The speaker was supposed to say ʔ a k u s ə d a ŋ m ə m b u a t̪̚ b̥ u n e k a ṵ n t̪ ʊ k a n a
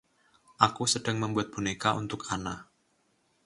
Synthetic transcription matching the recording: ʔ a k u s ə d a ŋ m ə m b u a t̪̚ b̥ u n e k a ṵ n t̪ ʊ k a n a